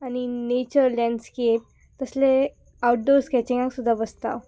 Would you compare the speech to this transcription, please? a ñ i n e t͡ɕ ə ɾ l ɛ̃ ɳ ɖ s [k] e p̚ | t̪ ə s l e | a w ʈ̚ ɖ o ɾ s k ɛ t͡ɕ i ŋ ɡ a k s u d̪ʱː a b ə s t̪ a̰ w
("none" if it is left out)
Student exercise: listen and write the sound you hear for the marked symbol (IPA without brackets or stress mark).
k